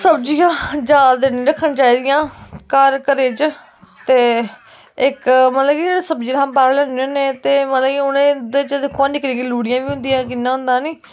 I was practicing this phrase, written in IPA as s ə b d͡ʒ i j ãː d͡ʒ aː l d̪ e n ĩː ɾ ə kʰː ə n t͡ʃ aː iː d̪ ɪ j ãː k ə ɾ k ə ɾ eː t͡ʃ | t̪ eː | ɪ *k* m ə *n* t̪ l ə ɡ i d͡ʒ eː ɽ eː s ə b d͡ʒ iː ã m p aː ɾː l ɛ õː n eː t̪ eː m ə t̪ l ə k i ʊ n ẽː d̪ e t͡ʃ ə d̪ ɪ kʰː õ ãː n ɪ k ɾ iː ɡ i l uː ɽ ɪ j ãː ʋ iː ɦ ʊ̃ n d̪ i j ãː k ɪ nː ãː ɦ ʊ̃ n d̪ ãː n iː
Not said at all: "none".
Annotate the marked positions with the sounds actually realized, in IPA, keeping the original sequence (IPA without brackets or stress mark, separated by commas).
k, none